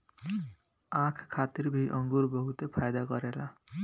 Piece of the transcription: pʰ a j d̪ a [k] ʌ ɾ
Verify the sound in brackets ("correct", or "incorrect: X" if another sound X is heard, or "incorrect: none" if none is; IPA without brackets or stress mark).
incorrect: ɡ